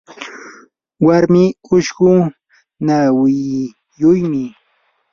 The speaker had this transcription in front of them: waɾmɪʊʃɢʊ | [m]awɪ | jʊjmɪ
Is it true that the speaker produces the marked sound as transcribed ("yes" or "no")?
no